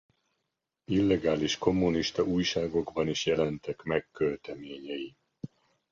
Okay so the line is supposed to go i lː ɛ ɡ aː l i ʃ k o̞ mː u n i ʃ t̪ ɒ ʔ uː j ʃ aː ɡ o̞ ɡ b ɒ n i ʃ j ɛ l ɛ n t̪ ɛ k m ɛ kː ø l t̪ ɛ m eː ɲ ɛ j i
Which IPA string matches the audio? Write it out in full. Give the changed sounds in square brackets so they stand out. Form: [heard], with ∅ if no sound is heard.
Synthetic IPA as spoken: i lː ɛ ɡ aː l i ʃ k o̞ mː u n i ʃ t̪ ɒ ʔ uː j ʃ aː ɡ o̞ ɡ b ɒ n i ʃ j ɛ l ɛ n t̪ ɛ k m ɛ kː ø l t̪ ɛ m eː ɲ ɛ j i